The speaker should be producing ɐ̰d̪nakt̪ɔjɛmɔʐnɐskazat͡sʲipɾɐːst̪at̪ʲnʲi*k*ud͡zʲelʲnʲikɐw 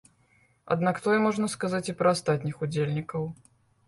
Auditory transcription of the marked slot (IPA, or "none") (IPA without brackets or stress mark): x